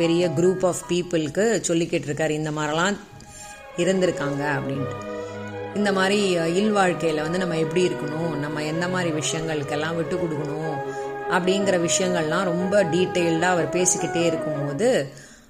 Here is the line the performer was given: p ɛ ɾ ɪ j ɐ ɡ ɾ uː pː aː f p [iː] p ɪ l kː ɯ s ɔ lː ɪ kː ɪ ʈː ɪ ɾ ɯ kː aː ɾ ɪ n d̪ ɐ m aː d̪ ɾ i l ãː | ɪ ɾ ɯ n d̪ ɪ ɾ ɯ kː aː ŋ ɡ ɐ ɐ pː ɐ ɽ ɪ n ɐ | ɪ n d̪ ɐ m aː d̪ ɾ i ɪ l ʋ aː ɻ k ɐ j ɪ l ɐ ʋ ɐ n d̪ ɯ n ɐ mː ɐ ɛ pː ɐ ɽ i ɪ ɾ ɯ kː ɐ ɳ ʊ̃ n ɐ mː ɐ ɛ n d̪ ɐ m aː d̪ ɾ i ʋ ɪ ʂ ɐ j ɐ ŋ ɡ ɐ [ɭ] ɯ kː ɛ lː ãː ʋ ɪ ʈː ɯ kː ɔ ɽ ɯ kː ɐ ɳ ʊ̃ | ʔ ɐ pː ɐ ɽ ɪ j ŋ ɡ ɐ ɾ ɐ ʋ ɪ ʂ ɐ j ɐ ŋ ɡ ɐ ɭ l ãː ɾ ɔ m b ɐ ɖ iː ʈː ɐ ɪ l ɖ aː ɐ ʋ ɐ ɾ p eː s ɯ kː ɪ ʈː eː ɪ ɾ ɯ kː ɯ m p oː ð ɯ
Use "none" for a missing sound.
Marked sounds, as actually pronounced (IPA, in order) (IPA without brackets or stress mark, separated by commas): iː, ɭ